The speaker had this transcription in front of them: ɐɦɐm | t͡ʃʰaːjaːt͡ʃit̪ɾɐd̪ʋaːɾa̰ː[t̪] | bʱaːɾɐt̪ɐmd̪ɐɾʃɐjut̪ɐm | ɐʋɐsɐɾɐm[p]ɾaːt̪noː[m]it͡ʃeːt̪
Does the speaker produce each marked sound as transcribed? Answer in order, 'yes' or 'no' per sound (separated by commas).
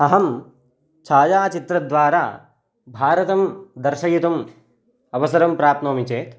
no, yes, yes